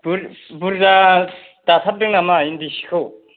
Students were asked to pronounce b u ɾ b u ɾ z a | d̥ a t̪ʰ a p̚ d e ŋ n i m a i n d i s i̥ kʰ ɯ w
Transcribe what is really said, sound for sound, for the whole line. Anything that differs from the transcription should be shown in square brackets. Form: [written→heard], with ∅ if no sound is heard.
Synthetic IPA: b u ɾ b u ɾ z a | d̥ a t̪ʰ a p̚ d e ŋ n [i→a] m a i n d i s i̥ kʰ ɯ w